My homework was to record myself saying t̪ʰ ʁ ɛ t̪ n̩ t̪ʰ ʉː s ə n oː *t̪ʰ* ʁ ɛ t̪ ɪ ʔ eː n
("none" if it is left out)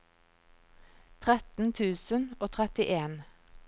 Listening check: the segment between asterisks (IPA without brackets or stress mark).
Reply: t̪ʰ